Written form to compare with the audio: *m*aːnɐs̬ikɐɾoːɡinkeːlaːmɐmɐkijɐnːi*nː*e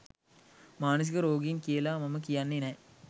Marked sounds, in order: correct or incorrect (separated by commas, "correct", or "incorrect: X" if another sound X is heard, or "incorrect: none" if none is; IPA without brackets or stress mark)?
correct, incorrect: n